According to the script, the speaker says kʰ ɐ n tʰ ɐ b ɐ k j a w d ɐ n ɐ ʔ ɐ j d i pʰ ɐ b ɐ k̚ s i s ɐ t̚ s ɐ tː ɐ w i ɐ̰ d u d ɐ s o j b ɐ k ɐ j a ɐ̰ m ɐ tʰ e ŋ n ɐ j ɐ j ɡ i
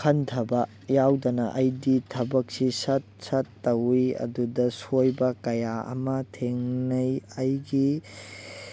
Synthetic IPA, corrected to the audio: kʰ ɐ n tʰ ɐ b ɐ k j a w d ɐ n ɐ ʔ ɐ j d i tʰ ɐ b ɐ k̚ s i s ɐ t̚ s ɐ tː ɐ w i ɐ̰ d u d ɐ s o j b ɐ k ɐ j a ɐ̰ m ɐ tʰ e ŋ n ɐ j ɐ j ɡ i